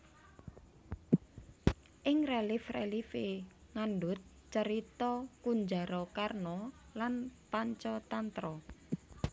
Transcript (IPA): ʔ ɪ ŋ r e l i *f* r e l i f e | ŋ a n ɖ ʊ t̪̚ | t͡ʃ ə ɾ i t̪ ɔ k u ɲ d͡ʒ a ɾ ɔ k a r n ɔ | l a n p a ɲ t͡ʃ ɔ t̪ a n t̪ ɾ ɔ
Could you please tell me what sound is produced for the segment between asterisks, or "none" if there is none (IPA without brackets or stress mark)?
f